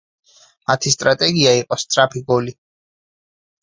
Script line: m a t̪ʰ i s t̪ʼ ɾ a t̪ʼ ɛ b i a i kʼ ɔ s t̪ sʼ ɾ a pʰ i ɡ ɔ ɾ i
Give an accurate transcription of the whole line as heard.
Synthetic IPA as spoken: m a t̪ʰ i s t̪ʼ ɾ a t̪ʼ ɛ ɡ i a i qʼ ɔ s t̪ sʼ ɾ a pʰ i ɡ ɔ l i